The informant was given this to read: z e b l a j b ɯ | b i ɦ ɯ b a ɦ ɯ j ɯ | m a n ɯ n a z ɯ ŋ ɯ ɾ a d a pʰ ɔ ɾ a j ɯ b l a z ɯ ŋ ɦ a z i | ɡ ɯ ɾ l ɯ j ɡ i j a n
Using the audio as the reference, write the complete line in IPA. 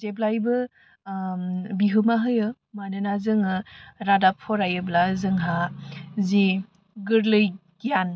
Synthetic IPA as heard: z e b l a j b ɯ | b i ɦ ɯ m a ɦ ɯ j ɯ | m a n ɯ n a z ɯ ŋ ɯ ɾ a d a pʰ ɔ ɾ a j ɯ b l a z ɯ ŋ ɦ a z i | ɡ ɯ ɾ l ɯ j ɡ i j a n